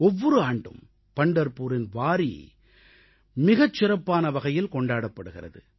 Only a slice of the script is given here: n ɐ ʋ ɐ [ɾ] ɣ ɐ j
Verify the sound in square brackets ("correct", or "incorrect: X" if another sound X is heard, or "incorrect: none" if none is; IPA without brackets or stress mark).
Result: incorrect: none